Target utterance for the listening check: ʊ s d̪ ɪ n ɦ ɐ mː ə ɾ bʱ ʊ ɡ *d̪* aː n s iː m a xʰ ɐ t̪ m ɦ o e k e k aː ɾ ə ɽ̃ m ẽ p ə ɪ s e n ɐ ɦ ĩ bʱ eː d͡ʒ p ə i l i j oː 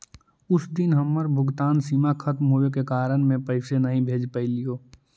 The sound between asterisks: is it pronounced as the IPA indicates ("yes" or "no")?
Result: no